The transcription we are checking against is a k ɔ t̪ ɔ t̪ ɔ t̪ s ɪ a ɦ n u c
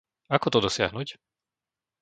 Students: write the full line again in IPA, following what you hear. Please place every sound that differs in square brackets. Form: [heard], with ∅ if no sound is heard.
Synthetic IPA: a k ɔ t̪ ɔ [d̪] ɔ [∅] s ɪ a ɦ n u c